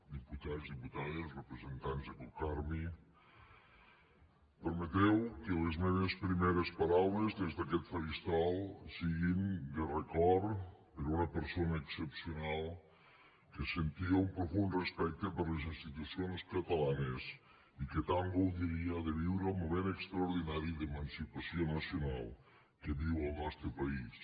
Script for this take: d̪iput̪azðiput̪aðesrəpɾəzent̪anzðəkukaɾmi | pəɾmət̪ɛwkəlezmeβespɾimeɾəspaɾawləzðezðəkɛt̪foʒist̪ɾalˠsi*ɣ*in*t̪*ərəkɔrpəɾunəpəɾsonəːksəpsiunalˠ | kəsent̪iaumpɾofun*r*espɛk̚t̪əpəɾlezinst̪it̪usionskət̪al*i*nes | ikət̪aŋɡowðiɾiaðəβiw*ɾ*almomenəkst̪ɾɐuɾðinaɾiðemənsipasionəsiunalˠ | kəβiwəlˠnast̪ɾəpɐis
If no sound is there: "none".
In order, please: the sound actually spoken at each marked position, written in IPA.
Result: ɣ, d̪, r, a, ɾ

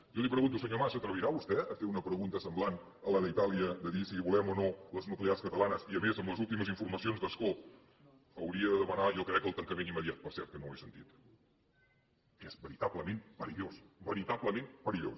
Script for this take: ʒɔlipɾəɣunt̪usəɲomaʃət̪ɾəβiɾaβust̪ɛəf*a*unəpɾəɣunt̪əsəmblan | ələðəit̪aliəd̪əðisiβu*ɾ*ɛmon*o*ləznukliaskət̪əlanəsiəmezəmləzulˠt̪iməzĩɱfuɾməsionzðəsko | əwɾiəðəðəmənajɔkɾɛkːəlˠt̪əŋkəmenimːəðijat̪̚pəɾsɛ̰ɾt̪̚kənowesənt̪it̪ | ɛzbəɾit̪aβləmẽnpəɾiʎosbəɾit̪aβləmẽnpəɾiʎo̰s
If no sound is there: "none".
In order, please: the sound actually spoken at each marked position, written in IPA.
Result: e, l, o

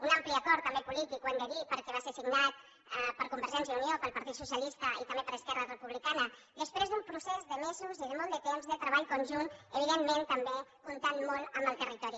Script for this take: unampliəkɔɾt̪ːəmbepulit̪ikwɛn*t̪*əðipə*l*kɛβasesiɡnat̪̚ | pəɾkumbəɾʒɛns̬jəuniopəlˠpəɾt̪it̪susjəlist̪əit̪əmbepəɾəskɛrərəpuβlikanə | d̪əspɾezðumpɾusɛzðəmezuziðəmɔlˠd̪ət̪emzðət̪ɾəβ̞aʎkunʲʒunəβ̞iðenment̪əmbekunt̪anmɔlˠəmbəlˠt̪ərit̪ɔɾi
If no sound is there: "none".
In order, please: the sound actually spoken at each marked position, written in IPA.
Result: d̪, ɾ

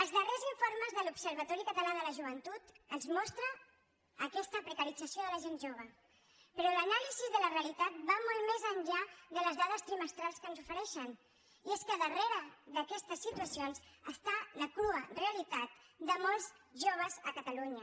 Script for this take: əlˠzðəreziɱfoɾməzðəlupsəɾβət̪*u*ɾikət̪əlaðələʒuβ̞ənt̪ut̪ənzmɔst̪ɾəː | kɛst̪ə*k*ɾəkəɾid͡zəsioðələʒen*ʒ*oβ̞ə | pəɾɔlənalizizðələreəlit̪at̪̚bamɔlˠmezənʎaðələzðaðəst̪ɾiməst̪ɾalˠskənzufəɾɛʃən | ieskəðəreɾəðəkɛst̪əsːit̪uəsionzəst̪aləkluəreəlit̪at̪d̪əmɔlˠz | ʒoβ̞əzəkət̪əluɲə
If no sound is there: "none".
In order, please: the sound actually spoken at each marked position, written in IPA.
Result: ɔ, p, ʒ

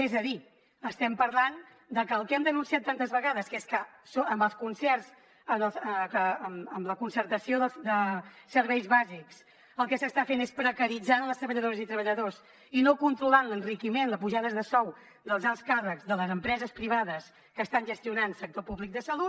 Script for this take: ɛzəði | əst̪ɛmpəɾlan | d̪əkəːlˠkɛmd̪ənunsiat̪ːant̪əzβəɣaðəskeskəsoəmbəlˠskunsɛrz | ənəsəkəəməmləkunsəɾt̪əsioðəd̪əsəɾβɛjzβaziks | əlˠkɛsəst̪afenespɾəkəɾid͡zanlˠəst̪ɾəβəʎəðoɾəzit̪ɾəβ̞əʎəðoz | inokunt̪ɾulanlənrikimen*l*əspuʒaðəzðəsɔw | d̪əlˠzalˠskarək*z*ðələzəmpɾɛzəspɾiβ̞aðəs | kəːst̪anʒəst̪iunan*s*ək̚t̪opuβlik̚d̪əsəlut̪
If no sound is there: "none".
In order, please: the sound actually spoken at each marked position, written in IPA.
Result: l, z, s

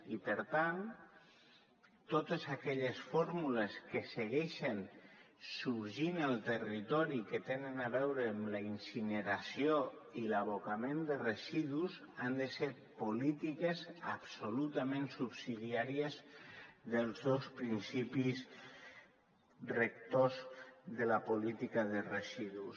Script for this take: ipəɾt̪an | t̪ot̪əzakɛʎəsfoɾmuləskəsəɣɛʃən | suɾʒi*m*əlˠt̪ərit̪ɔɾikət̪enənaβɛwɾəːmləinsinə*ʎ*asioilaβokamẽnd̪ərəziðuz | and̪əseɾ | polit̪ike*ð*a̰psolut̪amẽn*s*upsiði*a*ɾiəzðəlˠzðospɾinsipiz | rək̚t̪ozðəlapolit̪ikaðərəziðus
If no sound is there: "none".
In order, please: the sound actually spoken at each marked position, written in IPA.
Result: n, ɾ, z, s, a

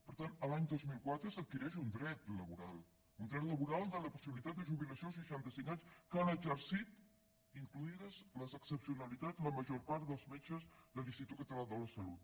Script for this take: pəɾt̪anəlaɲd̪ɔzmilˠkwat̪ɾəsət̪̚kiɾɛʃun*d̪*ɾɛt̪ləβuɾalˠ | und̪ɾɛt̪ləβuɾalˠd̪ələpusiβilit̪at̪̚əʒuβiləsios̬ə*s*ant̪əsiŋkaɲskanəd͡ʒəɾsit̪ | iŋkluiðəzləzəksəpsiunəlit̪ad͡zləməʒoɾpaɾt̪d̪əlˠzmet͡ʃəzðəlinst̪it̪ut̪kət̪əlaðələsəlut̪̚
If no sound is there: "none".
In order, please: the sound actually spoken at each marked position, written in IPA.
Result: d̪, ʃ

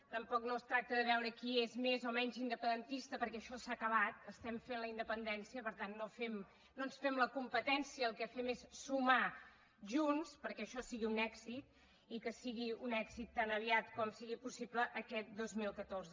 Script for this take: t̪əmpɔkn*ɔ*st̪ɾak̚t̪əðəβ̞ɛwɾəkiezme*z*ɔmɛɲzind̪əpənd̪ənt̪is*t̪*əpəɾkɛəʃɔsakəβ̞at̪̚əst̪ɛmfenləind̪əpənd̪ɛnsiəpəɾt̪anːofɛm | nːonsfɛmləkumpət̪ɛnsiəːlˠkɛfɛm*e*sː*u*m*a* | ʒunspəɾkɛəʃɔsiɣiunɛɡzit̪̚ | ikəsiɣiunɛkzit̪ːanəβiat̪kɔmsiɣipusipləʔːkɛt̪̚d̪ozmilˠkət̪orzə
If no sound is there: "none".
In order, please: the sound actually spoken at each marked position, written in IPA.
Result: o, z, t̪, e, u, a

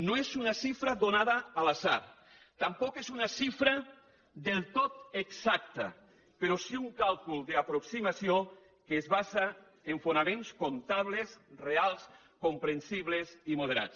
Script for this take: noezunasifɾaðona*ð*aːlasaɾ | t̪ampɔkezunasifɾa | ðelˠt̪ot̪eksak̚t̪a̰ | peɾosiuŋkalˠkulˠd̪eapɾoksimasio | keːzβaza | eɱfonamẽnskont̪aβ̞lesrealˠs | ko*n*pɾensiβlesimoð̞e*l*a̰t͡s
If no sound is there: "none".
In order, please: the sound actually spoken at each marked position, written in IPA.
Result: ð, m, ɾ

